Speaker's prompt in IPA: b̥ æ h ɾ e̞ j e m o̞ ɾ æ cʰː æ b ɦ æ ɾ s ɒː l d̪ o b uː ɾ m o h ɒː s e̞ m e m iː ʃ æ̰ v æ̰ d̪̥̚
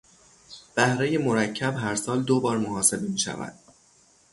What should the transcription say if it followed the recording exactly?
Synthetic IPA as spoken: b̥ æ h ɾ e̞ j e m o̞ ɾ æ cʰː æ b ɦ æ ɾ s ɒː l d̪ o b ɒː ɾ m o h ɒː s e̞ b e m iː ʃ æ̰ v æ̰ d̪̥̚